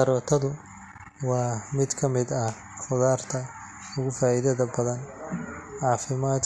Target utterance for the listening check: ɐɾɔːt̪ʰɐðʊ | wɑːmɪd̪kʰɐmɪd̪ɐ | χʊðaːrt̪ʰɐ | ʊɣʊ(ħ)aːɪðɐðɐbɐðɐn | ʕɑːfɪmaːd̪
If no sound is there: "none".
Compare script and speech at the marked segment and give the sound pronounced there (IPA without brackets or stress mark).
f